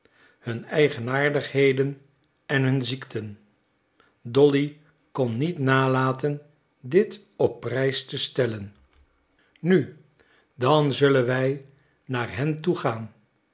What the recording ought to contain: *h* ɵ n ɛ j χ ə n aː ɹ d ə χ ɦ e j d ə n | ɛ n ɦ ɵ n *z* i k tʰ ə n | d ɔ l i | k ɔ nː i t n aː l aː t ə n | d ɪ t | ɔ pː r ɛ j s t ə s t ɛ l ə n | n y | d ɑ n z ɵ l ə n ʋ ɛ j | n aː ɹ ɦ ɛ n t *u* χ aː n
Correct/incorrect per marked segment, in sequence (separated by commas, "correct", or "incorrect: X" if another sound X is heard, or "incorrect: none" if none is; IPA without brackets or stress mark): correct, correct, correct